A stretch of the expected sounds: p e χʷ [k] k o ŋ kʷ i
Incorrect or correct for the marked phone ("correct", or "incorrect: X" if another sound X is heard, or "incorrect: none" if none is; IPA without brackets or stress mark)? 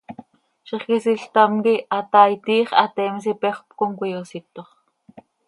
incorrect: p